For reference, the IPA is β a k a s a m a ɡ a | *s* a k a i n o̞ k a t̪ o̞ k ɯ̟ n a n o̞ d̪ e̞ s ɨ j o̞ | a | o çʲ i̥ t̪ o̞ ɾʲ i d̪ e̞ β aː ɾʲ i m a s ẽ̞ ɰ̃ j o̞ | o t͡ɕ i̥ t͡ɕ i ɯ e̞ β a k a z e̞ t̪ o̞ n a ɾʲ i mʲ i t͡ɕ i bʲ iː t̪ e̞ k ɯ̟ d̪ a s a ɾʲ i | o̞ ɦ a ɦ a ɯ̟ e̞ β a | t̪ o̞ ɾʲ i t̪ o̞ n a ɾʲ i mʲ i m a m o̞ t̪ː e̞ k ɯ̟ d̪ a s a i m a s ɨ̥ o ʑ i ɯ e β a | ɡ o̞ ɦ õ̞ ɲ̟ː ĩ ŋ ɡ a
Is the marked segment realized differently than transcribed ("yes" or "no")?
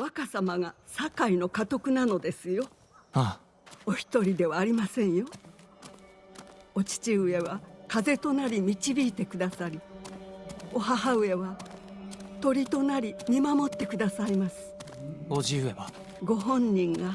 no